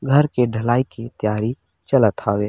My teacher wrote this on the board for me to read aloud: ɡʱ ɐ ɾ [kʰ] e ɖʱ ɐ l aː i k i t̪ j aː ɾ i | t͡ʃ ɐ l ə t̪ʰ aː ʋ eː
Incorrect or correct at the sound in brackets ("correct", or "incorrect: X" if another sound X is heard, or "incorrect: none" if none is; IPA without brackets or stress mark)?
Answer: incorrect: k